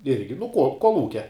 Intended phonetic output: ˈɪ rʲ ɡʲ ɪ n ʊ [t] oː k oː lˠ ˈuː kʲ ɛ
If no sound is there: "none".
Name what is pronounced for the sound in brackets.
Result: k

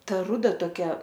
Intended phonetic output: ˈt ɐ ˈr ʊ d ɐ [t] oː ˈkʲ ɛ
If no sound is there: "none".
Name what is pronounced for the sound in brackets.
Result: t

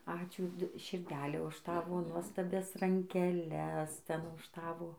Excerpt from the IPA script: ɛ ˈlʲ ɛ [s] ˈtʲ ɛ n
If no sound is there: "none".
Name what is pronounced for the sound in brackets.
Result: s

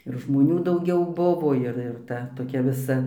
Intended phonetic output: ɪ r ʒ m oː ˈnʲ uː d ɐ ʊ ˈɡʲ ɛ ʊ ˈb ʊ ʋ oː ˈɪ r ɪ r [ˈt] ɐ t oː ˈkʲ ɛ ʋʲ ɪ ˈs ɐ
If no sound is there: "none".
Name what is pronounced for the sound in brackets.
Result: t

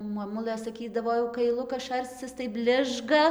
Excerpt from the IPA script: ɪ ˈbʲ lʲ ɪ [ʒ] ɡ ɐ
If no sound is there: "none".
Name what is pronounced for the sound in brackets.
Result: ʒ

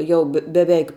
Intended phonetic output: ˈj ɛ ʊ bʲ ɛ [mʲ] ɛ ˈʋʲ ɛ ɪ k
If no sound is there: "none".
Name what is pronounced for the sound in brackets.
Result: bʲ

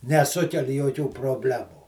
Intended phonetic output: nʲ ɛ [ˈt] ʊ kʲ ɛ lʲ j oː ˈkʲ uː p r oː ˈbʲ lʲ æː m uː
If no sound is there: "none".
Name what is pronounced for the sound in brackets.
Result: s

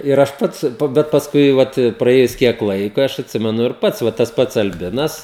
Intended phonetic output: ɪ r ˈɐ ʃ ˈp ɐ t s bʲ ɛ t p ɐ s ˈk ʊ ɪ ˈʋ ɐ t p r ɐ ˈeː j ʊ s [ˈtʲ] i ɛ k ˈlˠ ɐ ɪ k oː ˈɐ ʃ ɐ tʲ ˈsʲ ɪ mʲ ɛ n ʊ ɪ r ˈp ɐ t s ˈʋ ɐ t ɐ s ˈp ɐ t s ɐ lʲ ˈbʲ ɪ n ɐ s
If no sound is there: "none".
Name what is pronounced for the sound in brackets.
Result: kʲ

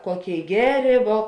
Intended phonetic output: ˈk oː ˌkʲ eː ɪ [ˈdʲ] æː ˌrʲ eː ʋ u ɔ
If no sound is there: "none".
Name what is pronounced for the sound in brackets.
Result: ɡʲ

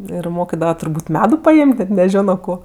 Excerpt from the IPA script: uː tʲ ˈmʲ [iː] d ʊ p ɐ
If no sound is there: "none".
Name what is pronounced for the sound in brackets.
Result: æː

